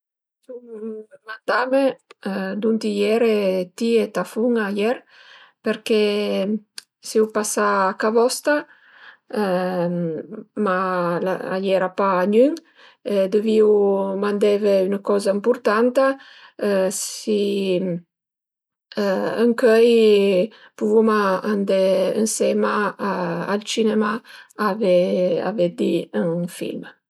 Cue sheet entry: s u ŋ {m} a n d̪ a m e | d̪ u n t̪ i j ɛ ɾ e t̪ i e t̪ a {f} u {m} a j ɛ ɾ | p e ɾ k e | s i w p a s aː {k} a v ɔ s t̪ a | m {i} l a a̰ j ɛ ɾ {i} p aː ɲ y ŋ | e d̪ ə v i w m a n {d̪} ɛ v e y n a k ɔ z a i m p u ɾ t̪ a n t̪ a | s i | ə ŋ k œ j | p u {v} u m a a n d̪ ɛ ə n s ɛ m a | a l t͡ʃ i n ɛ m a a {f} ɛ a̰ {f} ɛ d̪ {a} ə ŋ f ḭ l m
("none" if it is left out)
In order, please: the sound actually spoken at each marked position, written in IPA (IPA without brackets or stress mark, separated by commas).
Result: m, f, ŋ, k, a, a, d̪, v, v, v, i